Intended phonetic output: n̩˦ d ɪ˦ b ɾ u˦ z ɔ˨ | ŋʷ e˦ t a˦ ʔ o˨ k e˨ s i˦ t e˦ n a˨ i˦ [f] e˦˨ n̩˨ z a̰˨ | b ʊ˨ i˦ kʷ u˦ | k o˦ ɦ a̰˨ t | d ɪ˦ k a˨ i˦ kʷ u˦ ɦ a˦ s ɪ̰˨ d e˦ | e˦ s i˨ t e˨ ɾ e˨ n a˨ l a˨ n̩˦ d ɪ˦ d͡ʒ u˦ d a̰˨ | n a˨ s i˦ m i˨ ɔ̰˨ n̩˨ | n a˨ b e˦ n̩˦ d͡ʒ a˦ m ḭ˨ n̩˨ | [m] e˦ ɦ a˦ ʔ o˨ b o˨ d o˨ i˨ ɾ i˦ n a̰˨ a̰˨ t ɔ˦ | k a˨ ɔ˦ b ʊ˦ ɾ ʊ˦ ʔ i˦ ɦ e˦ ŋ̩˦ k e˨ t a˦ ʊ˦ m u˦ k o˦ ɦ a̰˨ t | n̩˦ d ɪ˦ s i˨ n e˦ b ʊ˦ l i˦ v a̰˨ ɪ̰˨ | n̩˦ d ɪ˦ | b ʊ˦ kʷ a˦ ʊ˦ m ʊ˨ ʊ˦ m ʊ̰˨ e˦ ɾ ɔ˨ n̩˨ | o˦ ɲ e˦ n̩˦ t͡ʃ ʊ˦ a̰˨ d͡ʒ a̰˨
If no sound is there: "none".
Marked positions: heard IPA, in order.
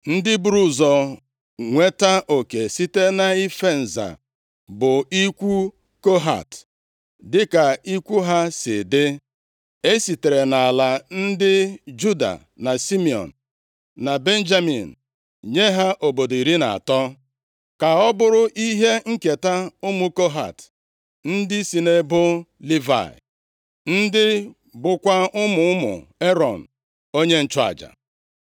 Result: f, ɲ

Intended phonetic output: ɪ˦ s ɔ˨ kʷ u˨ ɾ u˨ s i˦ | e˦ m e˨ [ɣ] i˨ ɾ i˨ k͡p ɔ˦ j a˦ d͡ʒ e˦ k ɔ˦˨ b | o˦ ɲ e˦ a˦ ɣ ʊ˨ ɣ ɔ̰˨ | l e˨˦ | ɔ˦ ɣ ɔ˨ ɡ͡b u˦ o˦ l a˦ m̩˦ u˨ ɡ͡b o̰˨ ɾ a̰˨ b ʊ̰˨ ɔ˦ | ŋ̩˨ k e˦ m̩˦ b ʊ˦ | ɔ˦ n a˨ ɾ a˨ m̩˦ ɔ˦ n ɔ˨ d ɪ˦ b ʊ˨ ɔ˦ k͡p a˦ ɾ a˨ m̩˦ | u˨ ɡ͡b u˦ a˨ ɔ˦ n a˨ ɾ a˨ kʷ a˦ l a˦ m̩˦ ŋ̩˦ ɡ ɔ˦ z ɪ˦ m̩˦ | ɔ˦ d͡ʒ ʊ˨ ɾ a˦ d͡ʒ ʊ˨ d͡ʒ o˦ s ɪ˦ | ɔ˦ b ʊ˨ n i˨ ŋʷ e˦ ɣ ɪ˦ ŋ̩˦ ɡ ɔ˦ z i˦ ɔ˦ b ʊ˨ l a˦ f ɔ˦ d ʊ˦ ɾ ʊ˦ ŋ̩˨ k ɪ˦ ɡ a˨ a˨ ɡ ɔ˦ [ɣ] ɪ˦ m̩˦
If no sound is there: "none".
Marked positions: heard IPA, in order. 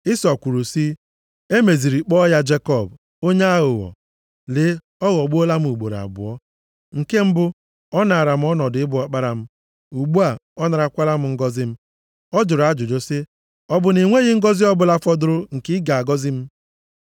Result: z, z

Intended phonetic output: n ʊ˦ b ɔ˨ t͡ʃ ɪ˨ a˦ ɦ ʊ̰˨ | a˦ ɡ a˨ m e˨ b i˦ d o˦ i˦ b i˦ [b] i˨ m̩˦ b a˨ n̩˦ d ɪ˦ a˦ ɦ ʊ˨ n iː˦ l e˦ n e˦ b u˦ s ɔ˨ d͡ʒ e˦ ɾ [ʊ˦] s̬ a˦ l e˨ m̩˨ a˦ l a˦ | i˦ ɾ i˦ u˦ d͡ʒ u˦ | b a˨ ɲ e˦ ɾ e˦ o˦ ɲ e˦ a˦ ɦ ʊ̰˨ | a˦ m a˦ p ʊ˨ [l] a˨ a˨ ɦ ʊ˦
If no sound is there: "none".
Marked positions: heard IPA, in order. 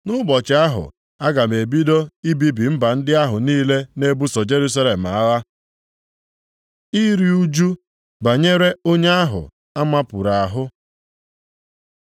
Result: b, u˦, ɾ

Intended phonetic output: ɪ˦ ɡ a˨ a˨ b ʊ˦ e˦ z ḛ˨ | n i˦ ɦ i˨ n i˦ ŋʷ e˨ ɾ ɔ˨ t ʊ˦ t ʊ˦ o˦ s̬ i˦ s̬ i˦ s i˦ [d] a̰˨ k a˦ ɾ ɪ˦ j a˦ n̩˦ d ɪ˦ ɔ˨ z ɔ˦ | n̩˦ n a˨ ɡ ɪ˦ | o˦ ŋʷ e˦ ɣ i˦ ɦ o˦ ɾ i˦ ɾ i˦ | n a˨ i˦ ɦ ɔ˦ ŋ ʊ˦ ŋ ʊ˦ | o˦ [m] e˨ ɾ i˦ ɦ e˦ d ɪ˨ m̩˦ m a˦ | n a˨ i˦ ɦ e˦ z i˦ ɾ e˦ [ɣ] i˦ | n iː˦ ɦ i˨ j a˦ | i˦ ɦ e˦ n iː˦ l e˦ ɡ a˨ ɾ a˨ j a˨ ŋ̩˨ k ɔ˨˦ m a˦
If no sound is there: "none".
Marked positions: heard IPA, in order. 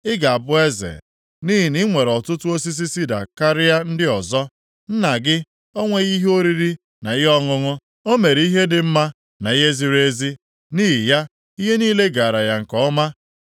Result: d, m, z

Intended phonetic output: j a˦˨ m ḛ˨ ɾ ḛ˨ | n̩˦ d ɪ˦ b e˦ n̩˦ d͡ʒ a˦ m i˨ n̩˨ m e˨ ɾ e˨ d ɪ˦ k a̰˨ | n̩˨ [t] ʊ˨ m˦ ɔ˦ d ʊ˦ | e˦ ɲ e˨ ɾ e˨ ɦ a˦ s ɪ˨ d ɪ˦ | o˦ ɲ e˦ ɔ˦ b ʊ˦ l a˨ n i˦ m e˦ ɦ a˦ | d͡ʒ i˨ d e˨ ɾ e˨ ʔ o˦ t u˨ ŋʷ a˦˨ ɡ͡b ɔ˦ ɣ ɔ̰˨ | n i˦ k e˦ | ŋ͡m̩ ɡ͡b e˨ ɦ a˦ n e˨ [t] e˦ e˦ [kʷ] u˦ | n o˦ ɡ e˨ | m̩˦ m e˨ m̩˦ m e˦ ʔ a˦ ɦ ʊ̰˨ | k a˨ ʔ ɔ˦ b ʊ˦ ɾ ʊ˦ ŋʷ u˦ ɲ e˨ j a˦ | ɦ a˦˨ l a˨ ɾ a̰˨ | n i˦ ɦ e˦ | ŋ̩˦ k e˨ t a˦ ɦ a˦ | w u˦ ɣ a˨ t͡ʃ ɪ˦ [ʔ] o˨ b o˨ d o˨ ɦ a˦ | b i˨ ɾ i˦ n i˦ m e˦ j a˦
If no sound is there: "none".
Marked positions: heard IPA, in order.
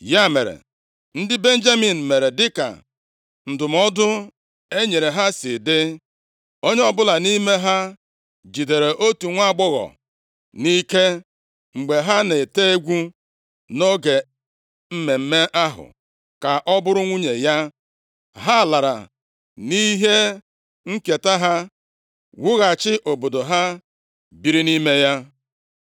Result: d, t, ɡʷ, ʔ

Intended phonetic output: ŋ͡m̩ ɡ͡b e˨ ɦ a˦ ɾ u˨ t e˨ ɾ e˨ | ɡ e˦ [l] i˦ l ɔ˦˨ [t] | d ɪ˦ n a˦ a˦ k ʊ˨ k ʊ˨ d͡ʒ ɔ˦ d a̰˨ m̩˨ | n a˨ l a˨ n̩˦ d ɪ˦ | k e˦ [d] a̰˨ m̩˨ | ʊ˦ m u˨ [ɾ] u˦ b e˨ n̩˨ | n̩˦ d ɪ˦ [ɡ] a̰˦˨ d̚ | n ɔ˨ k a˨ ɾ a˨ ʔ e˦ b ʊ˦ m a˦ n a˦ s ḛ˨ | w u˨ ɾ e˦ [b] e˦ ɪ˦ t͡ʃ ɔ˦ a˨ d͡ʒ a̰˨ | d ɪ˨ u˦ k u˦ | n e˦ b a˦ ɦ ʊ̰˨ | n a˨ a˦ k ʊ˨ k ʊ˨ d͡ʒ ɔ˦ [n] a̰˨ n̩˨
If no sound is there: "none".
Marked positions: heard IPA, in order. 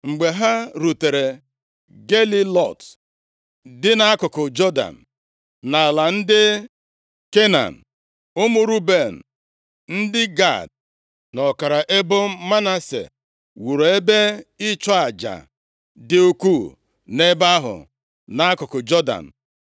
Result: l, t, n, ɾ, ɡ, b, d

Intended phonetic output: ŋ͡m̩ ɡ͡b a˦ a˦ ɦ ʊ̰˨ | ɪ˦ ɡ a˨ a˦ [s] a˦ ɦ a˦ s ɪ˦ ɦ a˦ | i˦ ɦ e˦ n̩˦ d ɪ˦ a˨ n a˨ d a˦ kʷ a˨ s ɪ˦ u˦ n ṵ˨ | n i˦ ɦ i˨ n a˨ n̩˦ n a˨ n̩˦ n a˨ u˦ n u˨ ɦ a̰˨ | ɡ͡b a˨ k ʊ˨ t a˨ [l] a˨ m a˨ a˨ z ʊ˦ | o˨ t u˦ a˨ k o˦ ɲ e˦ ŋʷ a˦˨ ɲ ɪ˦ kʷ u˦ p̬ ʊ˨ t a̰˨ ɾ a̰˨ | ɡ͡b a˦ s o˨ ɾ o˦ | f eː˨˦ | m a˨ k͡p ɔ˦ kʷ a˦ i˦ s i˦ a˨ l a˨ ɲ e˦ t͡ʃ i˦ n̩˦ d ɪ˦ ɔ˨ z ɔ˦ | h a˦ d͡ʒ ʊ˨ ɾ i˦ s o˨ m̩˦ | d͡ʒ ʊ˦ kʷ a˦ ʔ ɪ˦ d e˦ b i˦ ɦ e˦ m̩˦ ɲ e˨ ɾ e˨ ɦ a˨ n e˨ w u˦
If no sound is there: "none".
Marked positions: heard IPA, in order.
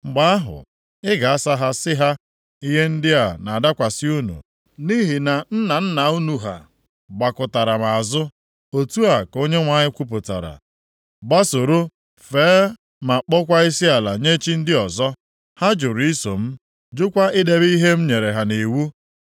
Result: s, ɾ

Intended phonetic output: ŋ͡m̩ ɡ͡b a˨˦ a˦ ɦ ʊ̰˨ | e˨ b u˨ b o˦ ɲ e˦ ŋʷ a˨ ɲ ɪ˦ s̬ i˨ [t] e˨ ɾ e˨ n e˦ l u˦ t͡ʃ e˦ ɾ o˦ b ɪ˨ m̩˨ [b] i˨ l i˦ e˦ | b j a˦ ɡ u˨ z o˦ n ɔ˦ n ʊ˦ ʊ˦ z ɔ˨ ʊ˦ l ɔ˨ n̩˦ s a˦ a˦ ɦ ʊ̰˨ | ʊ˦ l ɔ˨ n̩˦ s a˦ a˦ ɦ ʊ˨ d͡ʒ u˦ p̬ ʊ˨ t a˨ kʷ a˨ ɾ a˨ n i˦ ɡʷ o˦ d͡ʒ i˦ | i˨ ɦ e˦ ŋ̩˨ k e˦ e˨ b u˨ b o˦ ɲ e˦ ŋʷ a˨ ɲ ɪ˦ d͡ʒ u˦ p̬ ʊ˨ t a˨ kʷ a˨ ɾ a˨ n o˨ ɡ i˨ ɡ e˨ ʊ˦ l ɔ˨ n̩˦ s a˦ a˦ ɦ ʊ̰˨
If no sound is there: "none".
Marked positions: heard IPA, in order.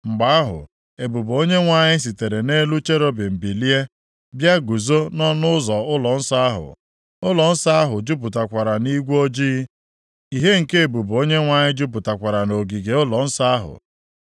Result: t, b

